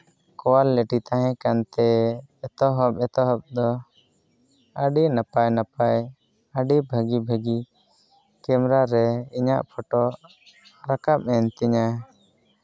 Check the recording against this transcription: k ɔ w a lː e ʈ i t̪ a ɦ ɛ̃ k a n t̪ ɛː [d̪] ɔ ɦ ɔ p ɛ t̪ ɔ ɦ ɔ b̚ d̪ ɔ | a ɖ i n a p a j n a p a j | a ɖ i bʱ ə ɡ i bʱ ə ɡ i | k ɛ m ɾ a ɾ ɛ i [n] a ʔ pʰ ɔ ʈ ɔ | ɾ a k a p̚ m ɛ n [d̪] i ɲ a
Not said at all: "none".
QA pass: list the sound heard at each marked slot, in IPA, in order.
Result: t̪, ɲ, t̪

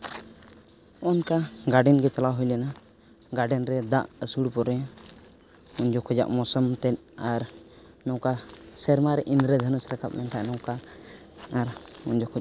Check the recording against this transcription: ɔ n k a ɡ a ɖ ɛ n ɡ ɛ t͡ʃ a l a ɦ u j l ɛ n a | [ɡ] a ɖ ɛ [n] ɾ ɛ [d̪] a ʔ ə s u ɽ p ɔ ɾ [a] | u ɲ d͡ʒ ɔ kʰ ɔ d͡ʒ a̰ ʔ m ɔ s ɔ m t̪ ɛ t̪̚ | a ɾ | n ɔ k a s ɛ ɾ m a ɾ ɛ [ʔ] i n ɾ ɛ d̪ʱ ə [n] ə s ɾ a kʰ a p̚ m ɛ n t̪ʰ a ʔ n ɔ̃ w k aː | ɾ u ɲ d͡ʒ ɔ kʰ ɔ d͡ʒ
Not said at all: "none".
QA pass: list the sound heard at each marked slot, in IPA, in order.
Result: ɡ, n, d̪, ɛ, ʔ, n

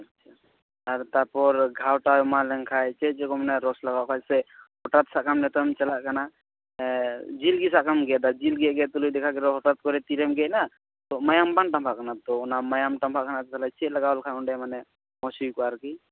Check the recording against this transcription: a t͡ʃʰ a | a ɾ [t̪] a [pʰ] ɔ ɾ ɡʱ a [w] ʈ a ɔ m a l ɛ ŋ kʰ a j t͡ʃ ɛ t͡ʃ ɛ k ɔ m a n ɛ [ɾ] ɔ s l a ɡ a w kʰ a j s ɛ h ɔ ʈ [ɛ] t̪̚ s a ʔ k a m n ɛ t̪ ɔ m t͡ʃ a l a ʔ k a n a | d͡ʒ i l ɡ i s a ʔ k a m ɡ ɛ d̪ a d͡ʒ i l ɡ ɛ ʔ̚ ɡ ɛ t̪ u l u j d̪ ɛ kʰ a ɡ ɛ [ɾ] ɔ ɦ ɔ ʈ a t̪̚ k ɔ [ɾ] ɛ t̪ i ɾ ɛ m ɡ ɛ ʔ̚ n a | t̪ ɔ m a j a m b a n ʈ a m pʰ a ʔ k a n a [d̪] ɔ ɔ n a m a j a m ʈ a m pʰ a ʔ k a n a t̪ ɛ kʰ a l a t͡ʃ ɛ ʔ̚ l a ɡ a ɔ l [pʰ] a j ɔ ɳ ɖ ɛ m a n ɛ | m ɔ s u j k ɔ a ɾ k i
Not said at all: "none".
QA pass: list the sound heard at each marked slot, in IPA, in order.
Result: t̪, p, w, ɾ, a, ɾ, ɾ, t̪, kʰ

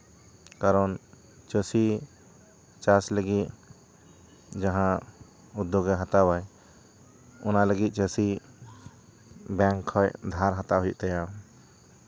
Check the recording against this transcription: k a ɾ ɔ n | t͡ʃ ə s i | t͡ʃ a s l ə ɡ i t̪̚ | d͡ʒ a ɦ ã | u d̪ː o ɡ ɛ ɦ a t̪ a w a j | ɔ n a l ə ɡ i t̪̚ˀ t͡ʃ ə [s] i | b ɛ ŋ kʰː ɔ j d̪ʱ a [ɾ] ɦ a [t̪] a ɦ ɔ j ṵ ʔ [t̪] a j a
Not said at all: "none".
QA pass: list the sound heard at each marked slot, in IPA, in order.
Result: s, ɾ, t̪, t̪

